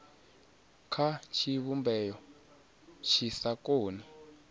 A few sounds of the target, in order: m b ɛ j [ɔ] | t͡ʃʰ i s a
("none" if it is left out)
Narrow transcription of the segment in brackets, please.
ɔ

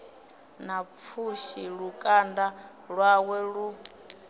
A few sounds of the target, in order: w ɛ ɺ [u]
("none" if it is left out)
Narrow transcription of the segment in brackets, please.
u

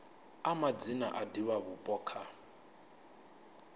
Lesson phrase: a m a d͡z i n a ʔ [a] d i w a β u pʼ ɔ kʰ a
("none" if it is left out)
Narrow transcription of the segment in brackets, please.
a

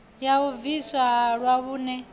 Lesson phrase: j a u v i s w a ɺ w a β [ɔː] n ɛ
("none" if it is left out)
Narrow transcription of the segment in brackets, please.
uː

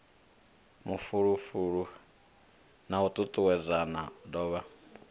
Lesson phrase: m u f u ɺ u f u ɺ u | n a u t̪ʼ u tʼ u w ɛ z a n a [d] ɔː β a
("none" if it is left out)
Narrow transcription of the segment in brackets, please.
d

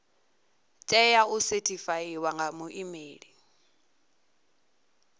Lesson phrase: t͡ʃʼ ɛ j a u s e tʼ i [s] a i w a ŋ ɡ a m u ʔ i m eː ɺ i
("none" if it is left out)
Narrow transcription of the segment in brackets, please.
f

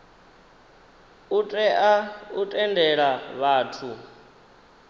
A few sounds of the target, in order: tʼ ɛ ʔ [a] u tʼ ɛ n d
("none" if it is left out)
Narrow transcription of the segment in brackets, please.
a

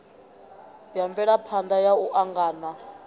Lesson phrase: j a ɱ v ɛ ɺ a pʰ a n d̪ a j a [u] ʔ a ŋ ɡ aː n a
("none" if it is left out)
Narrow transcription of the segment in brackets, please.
u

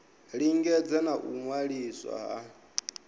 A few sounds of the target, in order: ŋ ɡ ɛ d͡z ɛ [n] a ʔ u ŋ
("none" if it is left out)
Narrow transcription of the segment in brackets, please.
n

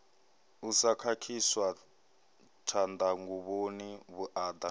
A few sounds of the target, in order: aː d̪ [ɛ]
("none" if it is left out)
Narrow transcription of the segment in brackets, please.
a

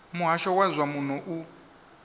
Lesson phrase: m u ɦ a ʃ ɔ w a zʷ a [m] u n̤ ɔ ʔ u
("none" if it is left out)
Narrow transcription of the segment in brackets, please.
m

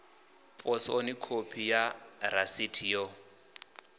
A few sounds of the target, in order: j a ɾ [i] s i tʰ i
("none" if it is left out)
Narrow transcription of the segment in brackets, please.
a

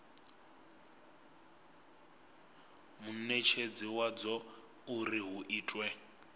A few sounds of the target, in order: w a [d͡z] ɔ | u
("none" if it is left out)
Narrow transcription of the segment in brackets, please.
d͡z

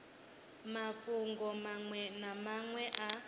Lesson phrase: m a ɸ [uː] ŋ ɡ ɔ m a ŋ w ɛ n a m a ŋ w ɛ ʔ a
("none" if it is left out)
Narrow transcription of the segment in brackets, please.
u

